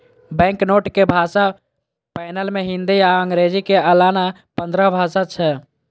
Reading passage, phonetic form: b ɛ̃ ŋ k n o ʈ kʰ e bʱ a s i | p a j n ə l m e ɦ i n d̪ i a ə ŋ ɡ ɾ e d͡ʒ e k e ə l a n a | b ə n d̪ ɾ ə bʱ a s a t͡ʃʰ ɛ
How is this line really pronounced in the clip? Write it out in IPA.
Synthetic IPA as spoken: b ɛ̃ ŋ k n o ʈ k e bʱ a s a | p a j n ə l m e ɦ i n d̪ i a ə ŋ ɡ ɾ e d͡ʒ i k e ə l a n a | p ə n d̪ ɾ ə bʱ a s a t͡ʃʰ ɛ